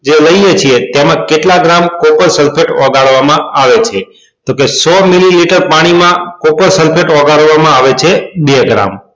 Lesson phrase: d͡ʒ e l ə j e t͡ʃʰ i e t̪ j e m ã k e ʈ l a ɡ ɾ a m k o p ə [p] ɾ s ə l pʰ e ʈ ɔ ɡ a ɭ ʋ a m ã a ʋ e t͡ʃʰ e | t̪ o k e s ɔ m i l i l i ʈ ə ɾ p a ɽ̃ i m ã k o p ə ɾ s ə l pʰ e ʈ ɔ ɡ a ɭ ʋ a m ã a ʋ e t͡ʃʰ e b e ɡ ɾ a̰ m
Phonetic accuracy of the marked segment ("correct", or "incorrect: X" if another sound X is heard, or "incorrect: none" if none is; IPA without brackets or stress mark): incorrect: none